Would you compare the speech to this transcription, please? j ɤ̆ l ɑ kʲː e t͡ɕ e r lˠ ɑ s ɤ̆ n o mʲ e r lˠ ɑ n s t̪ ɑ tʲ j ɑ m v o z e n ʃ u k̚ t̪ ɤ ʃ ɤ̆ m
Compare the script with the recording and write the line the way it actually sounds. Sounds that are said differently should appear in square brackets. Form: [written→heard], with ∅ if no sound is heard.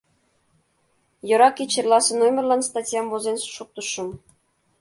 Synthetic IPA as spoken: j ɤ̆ [l→ɾ] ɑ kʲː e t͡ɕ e r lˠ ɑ s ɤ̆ n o mʲ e r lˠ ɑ n s t̪ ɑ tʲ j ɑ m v o z e n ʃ u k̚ t̪ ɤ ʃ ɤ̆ m